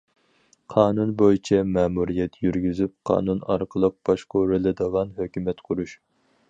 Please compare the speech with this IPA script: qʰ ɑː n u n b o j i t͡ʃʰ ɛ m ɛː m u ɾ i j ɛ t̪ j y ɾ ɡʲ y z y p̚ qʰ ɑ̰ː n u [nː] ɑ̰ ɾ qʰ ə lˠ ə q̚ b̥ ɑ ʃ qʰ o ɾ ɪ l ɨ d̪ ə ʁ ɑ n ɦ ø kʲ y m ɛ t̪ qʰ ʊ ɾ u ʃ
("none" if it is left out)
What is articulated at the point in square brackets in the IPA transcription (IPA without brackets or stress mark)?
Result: n